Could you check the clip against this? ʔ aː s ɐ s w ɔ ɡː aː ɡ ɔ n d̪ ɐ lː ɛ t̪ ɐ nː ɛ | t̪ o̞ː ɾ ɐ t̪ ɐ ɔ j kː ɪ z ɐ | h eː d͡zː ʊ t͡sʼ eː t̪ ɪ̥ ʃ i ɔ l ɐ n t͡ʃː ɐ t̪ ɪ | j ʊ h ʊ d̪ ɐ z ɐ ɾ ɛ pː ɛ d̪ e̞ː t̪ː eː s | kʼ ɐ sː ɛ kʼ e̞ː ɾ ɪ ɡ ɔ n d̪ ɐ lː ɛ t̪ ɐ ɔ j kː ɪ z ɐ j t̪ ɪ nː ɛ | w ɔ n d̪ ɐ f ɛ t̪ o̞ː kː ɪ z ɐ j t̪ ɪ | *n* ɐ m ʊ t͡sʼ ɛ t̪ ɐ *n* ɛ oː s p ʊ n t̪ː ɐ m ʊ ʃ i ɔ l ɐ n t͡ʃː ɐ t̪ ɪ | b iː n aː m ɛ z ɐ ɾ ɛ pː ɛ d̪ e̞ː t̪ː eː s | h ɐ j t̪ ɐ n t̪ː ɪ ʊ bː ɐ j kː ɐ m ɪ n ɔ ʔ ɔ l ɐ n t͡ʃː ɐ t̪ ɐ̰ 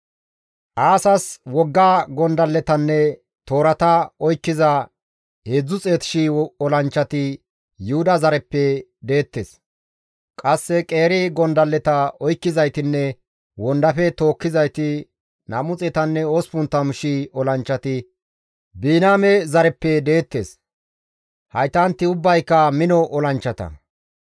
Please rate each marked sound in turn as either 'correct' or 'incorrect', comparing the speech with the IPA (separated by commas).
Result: correct, incorrect